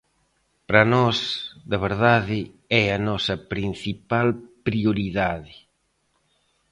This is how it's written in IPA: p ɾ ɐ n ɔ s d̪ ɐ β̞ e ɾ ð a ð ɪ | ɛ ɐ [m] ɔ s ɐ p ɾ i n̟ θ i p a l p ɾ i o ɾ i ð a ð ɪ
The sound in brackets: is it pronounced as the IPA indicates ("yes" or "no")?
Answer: no